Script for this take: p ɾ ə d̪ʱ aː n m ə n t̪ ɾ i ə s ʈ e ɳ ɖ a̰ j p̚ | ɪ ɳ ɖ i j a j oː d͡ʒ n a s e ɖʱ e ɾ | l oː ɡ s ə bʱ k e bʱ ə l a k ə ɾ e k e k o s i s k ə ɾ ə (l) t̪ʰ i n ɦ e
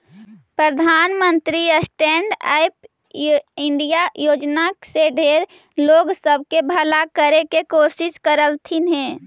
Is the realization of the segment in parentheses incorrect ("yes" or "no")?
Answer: no